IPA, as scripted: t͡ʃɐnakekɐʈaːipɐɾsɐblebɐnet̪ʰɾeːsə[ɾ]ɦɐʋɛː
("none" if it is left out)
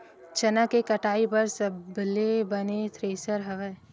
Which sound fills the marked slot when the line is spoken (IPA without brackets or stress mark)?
ɾ